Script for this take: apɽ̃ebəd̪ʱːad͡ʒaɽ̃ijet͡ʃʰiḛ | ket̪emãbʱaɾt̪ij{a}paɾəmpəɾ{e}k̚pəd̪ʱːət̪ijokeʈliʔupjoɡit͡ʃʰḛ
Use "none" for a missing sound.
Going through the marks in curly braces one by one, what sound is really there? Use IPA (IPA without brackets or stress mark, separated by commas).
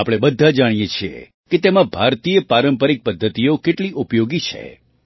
ə, i